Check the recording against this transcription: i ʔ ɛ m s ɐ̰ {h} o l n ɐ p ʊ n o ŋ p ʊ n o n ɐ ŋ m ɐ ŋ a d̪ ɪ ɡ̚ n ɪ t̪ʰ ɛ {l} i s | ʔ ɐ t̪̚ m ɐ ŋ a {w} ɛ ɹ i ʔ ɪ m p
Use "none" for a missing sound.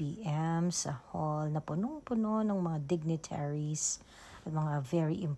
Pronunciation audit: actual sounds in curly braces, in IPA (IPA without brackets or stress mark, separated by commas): h, ɹ, v